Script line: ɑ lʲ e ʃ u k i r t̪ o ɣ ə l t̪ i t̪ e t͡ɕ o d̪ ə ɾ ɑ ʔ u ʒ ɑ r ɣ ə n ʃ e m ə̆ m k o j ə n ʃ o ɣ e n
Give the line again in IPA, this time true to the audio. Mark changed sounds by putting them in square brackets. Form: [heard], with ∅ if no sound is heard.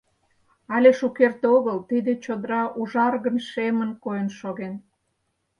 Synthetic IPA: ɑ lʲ e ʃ u k [e] r t̪ o ɣ ə l t̪ i [d̪] e t͡ɕ o d̪ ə ɾ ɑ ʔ u ʒ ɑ r ɣ ə n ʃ e m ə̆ [n] k o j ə n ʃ o ɣ e n